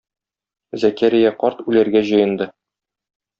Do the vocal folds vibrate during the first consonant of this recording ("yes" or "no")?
yes